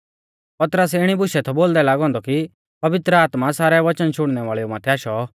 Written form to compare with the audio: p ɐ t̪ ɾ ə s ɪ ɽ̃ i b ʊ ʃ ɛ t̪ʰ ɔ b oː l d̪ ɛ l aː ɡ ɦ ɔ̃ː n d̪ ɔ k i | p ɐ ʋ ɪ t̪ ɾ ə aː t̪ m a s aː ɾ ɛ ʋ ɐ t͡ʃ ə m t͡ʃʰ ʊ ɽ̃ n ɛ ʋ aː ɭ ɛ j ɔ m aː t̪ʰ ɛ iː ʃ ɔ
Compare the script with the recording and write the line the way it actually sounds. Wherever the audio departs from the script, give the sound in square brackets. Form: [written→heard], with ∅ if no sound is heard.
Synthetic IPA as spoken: p ɐ t̪ ɾ ə s ɪ ɽ̃ i b ʊ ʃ ɛ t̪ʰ ɔ b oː l d̪ ɛ l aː ɡ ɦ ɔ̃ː n d̪ ɔ k i | p ɐ ʋ ɪ t̪ ɾ ə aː t̪ m a s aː ɾ ɛ ʋ ɐ t͡ʃ ə [m→n] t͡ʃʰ ʊ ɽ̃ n ɛ ʋ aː ɭ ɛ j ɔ m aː t̪ʰ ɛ [iː→aː] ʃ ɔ

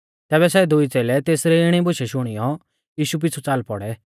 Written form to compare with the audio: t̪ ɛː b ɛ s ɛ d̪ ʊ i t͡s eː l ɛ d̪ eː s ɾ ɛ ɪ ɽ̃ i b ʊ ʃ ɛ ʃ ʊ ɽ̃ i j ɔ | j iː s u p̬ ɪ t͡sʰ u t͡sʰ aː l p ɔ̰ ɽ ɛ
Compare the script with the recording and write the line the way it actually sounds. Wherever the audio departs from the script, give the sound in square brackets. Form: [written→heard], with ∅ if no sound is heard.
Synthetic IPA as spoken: t̪ ɛː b ɛ s ɛ d̪ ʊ i t͡s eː l ɛ [d̪→t̪] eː s ɾ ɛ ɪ ɽ̃ i b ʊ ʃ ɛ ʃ ʊ ɽ̃ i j ɔ | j iː [s→ʃ] u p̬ ɪ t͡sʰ u [t͡sʰ→t͡s] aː l p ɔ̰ ɽ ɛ

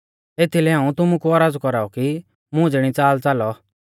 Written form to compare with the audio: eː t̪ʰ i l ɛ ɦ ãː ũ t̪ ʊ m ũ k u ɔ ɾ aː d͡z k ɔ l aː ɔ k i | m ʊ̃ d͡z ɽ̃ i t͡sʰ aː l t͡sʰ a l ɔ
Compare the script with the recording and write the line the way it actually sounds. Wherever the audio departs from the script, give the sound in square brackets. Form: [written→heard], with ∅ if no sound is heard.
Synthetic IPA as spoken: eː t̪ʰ i l ɛ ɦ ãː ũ t̪ ʊ m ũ k u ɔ ɾ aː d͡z k ɔ [l→ɾ] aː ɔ k i | m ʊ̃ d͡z ɽ̃ i [t͡sʰ→t͡s] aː l [t͡sʰ→t͡s] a l ɔ

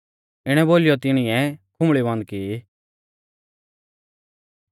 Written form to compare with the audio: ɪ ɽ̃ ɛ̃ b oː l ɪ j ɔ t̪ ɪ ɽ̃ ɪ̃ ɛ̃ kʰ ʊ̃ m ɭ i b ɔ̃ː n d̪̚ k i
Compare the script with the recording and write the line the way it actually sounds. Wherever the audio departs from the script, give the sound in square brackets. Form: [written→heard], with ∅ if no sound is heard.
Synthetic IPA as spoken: ɪ ɽ̃ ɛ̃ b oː l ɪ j ɔ t̪ ɪ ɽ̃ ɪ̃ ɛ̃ kʰ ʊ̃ m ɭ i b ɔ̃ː n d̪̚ k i

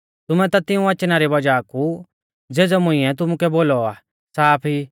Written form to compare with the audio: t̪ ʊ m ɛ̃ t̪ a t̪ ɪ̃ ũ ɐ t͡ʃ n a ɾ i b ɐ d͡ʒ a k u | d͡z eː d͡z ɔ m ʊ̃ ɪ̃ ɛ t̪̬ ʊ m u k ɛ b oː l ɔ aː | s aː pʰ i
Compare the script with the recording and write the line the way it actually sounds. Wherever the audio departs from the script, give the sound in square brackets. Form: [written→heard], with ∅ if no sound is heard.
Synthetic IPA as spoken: t̪ ʊ m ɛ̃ t̪ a t̪ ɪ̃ ũ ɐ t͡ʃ n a ɾ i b ɐ d͡ʒ a k u | d͡z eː d͡z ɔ m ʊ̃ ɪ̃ ɛ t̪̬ ʊ m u k ɛ b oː l ɔ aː | s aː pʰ i

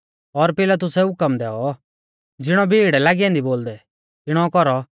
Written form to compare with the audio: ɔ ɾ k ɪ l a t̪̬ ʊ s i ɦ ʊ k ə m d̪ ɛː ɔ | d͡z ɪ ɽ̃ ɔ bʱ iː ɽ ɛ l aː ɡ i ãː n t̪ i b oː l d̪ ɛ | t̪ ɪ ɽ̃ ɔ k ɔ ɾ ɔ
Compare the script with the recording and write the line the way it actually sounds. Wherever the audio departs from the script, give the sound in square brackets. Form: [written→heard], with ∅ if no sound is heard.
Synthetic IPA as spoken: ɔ ɾ [k→p] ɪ l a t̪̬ ʊ s [i→ɛ] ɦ ʊ k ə m d̪ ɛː ɔ | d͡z ɪ ɽ̃ ɔ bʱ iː ɽ ɛ l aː ɡ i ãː n [t̪→d̪] i b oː l d̪ ɛ | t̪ ɪ ɽ̃ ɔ k ɔ ɾ ɔ

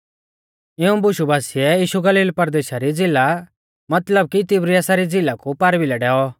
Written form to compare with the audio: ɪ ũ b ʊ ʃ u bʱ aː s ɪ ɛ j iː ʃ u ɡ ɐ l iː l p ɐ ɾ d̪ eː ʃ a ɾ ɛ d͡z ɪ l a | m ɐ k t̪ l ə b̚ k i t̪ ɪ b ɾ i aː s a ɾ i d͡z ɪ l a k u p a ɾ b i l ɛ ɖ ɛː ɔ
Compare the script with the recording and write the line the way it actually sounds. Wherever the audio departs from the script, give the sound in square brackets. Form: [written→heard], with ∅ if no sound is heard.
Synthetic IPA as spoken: ɪ ũ b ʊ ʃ u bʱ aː s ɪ ɛ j iː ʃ u ɡ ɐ l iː l p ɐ ɾ d̪ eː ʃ a ɾ [ɛ→i] d͡z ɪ l a | m ɐ [k→∅] t̪ l ə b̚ k i t̪ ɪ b ɾ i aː s a ɾ i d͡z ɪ l a k u p a ɾ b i l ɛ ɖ ɛː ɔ

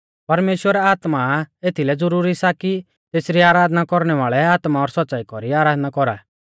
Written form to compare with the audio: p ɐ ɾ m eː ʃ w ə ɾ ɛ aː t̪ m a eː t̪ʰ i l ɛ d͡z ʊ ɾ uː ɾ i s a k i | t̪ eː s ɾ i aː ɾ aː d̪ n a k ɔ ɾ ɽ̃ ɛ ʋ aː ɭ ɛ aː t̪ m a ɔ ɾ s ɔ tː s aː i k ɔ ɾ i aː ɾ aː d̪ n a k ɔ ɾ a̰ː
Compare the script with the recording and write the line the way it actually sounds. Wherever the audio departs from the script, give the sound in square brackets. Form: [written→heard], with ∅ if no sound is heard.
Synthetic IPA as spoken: p ɐ ɾ m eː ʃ w ə ɾ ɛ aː t̪ m a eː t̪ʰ i l ɛ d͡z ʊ ɾ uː ɾ i s a k i | t̪ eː s ɾ i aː ɾ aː d̪ n a k ɔ ɾ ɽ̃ ɛ ʋ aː ɭ ɛ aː t̪ m a ɔ ɾ s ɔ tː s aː i k ɔ ɾ i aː ɾ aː d̪ n a k ɔ ɾ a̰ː

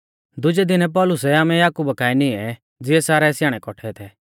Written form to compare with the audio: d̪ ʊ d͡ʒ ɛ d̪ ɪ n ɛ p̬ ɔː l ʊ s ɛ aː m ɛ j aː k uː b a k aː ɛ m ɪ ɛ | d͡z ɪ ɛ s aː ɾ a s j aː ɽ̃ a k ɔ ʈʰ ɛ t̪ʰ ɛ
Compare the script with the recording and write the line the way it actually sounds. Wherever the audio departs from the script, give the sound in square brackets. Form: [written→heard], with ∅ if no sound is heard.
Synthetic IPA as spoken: d̪ ʊ d͡ʒ ɛ d̪ ɪ n ɛ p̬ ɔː l ʊ s ɛ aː m ɛ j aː k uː b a k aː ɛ [m→n] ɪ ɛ | d͡z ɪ ɛ s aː ɾ [a→ɛ] s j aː ɽ̃ [a→ɛ] k ɔ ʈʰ ɛ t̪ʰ ɛ

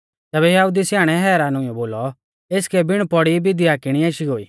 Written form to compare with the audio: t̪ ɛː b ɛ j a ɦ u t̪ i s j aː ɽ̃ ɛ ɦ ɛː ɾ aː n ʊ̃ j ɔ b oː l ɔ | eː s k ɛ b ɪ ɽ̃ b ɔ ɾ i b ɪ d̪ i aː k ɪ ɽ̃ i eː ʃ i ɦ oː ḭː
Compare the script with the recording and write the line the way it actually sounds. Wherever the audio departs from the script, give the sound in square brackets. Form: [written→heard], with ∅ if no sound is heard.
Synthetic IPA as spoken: t̪ ɛː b ɛ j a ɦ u [t̪→d̪] i s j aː ɽ̃ ɛ ɦ ɛː ɾ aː n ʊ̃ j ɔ b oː l ɔ | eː s k ɛ b ɪ ɽ̃ [b→p] ɔ [ɾ→ɽ] i b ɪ d̪ i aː k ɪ ɽ̃ i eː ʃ i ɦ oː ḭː

